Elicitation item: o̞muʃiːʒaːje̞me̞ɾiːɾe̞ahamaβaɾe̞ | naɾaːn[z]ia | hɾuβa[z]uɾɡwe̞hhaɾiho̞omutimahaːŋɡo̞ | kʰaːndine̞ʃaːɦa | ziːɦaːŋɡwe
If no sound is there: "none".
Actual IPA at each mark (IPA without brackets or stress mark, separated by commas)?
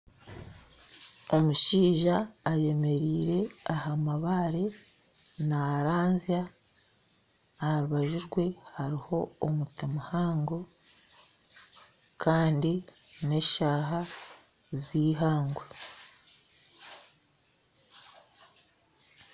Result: z, ʒ